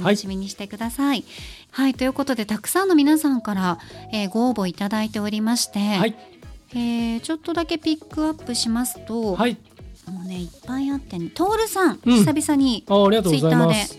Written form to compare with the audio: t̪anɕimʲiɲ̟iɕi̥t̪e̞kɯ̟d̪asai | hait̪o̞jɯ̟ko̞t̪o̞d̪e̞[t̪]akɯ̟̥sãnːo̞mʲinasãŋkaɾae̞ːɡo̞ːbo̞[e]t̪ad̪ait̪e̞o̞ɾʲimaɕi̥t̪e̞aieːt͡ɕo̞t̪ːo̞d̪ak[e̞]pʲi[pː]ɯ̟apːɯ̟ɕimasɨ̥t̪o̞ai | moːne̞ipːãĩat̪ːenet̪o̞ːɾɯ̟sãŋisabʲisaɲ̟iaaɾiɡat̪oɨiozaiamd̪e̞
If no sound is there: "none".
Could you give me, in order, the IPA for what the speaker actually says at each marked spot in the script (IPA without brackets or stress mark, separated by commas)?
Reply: t̪, i, e̞, kː